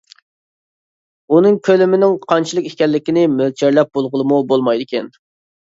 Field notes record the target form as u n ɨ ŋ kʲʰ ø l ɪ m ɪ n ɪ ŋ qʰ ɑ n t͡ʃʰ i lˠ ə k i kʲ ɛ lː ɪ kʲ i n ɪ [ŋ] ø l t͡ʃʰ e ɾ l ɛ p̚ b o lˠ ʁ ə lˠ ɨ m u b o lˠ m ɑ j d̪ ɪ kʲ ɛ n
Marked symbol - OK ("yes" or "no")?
no